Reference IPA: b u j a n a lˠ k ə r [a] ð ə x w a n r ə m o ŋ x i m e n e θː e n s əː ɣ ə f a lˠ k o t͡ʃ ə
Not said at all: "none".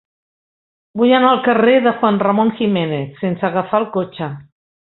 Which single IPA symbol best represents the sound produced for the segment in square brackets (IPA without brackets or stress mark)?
e